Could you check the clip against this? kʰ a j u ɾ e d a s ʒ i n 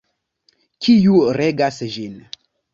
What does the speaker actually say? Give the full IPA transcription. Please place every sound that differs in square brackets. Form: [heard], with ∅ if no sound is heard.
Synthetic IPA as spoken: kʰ [i] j u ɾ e [ɡ] a s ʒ i n